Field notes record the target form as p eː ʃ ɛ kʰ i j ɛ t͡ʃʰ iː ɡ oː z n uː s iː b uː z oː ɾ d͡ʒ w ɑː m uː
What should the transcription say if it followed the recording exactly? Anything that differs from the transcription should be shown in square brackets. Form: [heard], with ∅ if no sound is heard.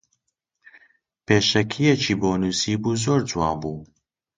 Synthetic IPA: p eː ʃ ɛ kʰ i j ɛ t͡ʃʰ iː [b] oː [∅] n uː s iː b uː z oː ɾ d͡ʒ w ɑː [b] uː